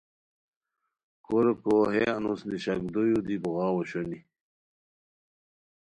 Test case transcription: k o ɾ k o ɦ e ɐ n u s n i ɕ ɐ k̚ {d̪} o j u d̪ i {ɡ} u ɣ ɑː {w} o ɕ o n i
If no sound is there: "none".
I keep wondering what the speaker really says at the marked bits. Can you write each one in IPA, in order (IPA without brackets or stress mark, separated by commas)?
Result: d̪, b, w